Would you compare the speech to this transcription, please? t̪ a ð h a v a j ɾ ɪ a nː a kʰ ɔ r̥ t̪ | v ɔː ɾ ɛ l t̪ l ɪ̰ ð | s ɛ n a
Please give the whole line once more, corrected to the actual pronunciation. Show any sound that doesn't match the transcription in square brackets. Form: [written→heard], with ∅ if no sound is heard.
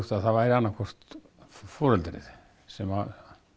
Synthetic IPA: t̪ a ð [h→θ] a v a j ɾ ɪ a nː a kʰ ɔ r̥ t̪ | [v→f] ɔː ɾ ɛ l t̪ [l→ɾ] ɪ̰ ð | s ɛ [n→m] a